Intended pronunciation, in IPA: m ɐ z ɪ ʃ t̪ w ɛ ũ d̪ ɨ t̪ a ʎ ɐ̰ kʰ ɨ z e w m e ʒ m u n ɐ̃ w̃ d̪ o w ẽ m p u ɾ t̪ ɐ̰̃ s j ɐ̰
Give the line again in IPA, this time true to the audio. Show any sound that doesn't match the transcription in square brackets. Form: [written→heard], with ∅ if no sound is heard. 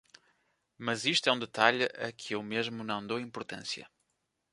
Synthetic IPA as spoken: m ɐ z [ɪ→i] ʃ t̪ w ɛ ũ d̪ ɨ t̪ a ʎ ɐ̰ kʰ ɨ [z→∅] e w m e ʒ m u n ɐ̃ w̃ d̪ o w [ẽ→ĩ] m p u ɾ t̪ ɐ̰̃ s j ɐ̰